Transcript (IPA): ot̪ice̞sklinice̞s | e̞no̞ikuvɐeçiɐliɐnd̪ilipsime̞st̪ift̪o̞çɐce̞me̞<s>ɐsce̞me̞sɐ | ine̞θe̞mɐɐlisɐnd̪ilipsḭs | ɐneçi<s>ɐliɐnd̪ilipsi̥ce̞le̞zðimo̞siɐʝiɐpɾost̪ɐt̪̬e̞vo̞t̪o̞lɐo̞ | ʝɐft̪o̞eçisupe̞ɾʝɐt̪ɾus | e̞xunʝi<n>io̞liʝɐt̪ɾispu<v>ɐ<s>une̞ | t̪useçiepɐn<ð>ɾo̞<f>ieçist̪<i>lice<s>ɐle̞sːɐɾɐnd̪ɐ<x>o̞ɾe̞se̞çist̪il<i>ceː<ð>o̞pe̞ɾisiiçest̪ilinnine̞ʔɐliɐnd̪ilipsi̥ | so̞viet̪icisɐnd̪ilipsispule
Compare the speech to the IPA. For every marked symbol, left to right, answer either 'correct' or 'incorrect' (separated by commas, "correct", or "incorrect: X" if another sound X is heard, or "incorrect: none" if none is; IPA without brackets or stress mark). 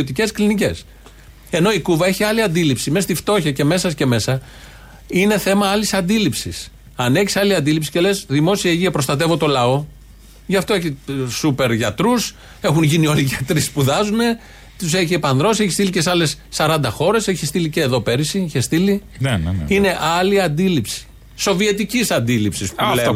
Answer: correct, correct, correct, incorrect: ð, incorrect: z, correct, incorrect: s, correct, correct, correct, correct, correct